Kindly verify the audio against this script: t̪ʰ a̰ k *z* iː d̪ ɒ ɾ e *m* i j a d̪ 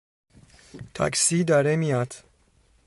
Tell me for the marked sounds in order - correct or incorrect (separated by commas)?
incorrect, correct